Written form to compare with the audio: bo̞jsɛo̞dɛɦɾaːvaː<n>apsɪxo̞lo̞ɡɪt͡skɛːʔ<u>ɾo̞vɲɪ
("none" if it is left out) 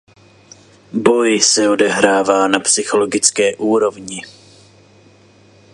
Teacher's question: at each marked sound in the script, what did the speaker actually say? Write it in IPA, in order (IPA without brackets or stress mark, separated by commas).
n, uː